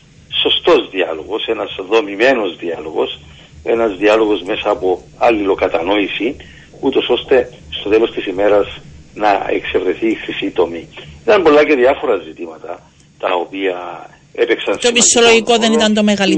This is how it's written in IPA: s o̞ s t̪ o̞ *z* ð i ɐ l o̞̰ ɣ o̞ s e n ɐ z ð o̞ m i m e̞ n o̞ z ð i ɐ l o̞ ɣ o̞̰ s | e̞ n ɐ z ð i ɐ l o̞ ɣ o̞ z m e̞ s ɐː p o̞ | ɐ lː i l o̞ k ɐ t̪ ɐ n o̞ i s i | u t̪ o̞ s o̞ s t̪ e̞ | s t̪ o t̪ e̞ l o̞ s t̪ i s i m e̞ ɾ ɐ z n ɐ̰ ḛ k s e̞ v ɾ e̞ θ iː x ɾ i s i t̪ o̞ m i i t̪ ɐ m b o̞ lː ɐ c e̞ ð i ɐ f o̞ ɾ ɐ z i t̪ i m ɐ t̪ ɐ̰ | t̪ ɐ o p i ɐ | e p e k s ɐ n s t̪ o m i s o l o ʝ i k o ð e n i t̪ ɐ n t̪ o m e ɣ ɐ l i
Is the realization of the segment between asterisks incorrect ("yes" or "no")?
no